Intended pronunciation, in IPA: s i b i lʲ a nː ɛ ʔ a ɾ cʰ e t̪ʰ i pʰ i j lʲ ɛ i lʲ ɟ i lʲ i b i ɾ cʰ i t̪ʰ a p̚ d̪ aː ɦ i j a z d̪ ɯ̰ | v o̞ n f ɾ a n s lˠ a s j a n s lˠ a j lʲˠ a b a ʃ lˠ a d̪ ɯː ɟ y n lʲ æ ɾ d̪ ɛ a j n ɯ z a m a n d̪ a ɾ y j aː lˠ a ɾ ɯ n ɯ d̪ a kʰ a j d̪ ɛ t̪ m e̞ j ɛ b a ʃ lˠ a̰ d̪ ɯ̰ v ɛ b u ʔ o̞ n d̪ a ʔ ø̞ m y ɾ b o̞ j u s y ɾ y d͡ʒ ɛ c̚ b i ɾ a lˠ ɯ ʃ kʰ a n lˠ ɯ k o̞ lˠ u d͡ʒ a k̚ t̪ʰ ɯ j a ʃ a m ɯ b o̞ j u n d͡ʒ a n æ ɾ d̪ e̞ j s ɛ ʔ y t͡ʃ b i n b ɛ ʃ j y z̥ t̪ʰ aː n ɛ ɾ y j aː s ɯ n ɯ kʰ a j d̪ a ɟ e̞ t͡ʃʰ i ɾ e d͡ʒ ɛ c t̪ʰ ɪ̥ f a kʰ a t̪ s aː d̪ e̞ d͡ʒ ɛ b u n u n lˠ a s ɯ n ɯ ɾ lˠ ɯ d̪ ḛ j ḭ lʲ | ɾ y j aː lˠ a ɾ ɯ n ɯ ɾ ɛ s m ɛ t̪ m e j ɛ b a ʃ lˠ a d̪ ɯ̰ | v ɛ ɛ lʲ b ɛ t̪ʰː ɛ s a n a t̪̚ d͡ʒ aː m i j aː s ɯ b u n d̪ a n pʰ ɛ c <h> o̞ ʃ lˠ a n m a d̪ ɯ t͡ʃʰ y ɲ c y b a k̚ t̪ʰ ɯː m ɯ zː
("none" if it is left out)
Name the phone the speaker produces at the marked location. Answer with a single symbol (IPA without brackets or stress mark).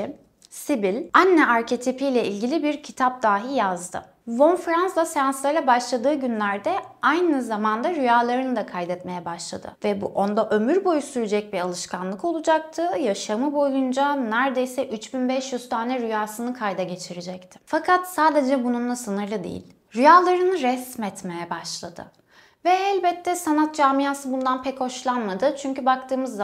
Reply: h